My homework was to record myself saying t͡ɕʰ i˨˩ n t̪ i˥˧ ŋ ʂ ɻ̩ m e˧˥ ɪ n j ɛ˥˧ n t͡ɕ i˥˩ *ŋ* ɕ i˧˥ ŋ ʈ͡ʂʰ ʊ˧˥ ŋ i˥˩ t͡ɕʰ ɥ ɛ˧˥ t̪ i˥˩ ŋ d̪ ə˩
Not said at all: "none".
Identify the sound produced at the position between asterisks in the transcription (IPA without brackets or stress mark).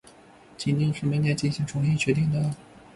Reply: n